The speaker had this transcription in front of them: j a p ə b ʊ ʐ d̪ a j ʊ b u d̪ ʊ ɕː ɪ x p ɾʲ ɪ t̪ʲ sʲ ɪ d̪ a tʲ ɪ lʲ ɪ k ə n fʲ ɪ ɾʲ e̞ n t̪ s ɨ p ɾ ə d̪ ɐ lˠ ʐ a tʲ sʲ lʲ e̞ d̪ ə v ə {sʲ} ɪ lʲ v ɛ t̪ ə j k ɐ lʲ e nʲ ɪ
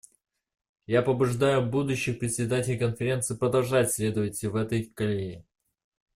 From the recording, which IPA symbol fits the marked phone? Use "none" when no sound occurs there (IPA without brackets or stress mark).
tʲ